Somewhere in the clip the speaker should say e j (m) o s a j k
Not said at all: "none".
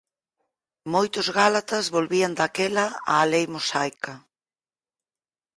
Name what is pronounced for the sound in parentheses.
m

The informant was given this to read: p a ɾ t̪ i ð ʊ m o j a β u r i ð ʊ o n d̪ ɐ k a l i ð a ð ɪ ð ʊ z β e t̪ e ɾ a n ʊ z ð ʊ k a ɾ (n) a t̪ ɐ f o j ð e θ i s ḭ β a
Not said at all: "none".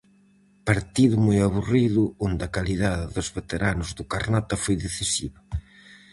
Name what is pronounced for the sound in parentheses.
n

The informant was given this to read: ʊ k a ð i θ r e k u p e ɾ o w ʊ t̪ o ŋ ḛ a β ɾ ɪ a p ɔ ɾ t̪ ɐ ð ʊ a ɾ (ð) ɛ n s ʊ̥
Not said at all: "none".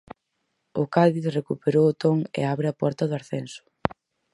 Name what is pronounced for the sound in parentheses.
θ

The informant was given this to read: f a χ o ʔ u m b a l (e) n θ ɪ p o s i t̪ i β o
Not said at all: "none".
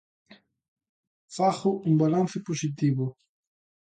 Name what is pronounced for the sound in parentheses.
a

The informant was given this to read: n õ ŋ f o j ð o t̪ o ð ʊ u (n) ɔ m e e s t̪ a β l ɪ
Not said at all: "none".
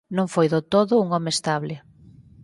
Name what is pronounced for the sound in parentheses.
ŋ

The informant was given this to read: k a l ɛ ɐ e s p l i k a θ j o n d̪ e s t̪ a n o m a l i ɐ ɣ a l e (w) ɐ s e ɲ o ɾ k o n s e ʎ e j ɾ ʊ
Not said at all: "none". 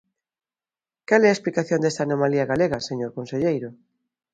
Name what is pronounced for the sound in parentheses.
ɣ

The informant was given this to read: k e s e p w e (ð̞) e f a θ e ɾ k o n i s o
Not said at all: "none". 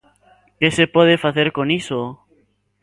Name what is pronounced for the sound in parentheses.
ð̞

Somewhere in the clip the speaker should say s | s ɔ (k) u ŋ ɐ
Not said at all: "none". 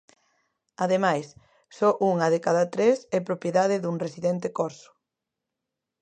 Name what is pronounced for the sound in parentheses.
ʔ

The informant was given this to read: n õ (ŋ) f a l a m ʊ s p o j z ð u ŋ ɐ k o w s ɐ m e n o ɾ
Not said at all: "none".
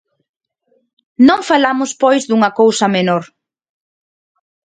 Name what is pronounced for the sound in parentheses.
ŋ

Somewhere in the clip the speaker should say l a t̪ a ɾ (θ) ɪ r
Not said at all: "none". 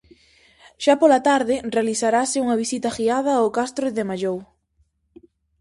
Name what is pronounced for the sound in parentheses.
ð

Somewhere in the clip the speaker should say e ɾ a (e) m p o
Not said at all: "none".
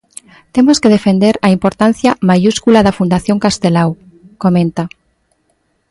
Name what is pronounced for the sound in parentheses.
i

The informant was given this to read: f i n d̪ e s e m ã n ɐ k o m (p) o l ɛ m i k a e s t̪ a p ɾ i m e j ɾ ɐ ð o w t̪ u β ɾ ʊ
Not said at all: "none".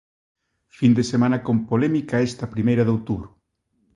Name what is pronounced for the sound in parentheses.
p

